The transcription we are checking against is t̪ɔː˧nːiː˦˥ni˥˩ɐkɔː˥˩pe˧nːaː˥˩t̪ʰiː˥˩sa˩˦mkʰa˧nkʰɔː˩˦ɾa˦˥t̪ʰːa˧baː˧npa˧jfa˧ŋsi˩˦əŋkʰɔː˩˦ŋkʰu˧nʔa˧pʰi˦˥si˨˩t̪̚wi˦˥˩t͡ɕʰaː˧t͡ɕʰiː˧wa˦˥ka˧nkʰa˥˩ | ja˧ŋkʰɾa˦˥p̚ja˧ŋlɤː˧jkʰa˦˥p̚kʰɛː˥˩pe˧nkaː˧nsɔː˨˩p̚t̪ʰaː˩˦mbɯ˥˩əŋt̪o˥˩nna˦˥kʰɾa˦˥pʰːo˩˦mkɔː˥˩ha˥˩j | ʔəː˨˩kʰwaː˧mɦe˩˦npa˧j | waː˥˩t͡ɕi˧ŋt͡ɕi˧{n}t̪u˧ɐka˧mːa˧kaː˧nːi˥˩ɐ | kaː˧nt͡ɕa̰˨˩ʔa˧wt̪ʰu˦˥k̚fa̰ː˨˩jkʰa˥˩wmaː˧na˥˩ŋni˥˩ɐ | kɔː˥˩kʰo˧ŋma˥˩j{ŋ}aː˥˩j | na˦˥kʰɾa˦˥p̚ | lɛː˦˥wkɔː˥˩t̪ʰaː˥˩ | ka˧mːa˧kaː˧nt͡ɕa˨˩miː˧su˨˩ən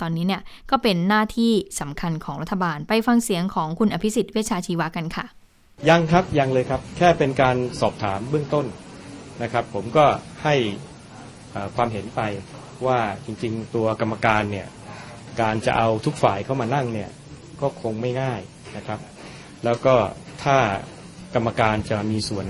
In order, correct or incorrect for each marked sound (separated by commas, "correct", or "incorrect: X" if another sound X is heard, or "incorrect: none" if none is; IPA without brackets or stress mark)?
incorrect: ŋ, correct